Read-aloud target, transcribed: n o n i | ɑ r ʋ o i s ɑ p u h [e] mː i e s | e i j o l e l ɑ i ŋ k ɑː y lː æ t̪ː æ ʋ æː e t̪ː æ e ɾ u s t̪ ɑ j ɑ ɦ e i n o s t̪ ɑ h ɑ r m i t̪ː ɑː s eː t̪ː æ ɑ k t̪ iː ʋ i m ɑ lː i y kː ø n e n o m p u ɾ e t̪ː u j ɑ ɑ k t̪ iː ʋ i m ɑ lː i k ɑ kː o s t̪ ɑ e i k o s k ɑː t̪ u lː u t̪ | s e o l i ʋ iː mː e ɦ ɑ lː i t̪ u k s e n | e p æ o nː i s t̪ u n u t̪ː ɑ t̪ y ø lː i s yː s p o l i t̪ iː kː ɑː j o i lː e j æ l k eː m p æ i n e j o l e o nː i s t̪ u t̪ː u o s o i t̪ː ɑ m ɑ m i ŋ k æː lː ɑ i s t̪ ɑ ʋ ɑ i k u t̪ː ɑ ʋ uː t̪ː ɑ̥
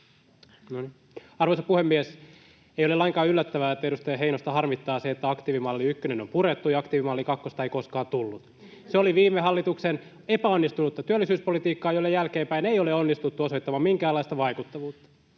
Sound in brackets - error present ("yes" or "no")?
no